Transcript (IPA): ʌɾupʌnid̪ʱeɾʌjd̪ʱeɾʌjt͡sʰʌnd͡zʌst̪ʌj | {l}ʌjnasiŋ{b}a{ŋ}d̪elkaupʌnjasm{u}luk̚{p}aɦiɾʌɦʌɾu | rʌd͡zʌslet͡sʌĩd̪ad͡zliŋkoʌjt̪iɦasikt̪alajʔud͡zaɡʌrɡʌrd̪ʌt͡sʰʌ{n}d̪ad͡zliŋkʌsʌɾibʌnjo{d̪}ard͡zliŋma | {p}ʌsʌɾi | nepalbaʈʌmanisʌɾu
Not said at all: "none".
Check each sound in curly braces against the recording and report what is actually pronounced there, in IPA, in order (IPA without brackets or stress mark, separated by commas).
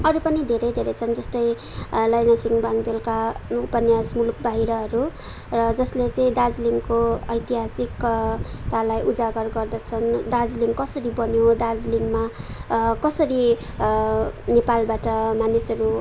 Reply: l, b, ŋ, u, b, n, d̪, k